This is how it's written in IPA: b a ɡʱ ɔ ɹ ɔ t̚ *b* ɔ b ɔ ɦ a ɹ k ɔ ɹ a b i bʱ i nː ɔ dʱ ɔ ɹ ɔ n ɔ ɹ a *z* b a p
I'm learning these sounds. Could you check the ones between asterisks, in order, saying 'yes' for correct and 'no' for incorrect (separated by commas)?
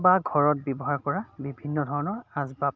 yes, yes